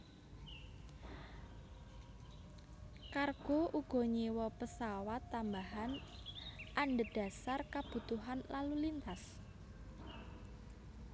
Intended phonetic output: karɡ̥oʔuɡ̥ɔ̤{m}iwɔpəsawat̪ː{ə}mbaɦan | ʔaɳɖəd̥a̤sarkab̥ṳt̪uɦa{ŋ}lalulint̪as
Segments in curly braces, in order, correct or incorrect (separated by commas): incorrect, incorrect, incorrect